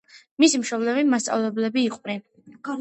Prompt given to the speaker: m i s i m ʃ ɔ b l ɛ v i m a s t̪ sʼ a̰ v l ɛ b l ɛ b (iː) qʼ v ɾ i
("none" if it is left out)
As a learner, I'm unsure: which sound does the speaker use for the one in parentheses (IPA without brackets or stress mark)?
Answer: iː